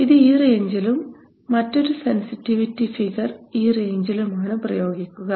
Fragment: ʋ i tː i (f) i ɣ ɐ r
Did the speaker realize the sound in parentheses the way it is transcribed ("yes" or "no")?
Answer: yes